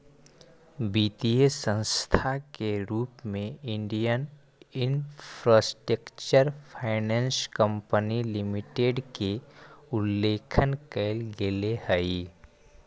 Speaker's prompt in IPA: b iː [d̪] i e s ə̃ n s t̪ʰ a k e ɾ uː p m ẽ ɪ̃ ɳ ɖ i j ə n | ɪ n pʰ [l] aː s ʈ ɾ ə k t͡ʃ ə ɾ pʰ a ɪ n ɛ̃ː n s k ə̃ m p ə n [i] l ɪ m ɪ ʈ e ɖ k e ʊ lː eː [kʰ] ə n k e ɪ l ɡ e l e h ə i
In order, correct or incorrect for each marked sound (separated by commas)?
incorrect, incorrect, correct, correct